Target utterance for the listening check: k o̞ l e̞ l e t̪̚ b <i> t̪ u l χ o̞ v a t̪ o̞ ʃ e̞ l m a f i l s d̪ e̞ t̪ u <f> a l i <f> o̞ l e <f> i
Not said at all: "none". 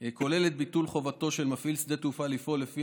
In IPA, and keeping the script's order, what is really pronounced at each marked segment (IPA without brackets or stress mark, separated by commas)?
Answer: i, f, f, f